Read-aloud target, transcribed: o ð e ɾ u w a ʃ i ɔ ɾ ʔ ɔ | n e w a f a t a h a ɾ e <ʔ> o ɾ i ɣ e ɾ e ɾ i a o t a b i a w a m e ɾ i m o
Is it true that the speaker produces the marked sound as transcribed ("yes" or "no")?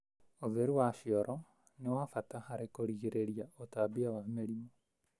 no